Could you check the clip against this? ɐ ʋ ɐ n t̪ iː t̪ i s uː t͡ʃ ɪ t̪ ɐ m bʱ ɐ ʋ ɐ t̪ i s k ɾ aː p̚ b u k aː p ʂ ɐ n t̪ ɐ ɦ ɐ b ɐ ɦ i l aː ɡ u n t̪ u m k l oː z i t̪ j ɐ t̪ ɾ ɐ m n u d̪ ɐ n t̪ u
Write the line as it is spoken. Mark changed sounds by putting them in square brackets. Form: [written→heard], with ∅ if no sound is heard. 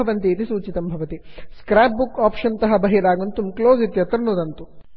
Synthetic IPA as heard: ɐ ʋ ɐ n t̪ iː t̪ i s uː t͡ʃ [ɪ→i] t̪ ɐ m bʱ ɐ ʋ ɐ t̪ i s k ɾ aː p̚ b u k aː p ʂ ɐ n t̪ ɐ ɦ ɐ b ɐ ɦ i [l→ɾ] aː ɡ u n t̪ u m k l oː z i t̪ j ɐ t̪ ɾ ɐ [m→∅] n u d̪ ɐ n t̪ u